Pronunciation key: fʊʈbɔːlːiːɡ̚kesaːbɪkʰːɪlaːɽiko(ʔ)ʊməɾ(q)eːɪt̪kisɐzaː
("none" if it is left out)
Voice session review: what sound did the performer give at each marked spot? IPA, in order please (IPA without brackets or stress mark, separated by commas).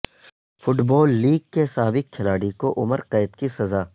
ʔ, q